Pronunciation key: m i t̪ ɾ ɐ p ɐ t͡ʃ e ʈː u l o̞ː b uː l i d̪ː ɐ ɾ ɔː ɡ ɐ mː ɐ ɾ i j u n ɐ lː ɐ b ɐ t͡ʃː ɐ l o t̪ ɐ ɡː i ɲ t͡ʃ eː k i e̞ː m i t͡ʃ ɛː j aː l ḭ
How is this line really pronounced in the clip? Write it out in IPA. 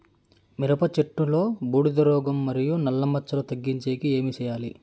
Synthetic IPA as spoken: m i ɾ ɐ p ɐ t͡ʃ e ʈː u l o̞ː b uː ɽ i d̪ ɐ ɾ ɔː ɡ ɐ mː ɐ ɾ i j u n ɐ lː ɐ m ɐ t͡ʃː ɐ l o t̪ ɐ ɡː i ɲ t͡ʃ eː k i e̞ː m i t͡ʃ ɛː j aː l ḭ

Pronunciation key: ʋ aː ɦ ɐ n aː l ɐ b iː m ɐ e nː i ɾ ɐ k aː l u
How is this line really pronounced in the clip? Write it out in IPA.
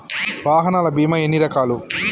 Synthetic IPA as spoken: ʋ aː ɦ ɐ n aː l ɐ b iː m ɐ e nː i ɾ ɐ k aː l u

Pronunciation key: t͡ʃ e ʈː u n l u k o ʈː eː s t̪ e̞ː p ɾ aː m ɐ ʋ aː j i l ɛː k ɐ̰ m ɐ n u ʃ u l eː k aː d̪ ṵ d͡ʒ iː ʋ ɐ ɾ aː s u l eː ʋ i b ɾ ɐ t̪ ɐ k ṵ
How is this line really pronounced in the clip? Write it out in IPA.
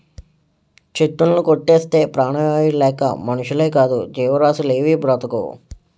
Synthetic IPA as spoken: t͡ʃ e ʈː u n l u k o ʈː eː s t̪ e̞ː p ɾ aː ɳ ɐ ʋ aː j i l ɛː k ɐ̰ m ɐ n u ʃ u l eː k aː d̪ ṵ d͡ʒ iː ʋ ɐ ɾ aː s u l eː ʋ i b ɾ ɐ t̪ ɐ k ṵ

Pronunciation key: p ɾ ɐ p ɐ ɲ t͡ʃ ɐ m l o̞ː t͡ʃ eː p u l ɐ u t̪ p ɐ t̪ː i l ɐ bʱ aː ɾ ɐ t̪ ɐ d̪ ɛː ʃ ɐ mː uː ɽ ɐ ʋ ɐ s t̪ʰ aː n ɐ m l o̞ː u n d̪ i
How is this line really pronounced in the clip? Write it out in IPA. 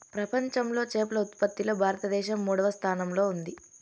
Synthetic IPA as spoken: p ɾ ɐ p ɐ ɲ t͡ʃ ɐ m l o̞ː t͡ʃ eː p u l ɐ u t̪ p ɐ t̪ː i l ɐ bʱ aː ɾ ɐ t̪ ɐ d̪ ɛː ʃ ɐ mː uː ɽ ɐ ʋ ɐ s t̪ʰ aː n ɐ m l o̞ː u n d̪ i

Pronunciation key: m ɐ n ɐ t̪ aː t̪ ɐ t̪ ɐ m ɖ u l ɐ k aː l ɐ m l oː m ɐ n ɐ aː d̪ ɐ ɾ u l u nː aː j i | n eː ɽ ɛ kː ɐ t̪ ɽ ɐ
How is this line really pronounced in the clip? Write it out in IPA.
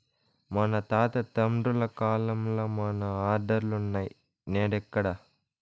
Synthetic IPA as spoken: m ɐ n ɐ t̪ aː t̪ ɐ t̪ ɐ m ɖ u l ɐ k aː l ɐ m l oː m ɐ n ɐ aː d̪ ɐ ɾ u l u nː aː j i | n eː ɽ ɛ kː ɐ ɽ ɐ

